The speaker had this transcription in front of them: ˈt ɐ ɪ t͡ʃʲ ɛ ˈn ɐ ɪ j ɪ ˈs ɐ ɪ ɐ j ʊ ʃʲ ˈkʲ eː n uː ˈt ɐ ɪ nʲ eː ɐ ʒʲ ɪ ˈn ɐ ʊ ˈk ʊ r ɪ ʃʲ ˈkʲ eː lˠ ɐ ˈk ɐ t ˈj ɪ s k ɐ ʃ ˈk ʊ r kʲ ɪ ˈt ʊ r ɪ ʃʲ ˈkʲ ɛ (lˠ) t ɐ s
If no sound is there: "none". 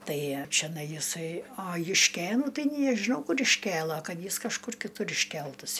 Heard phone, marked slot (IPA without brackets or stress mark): lˠ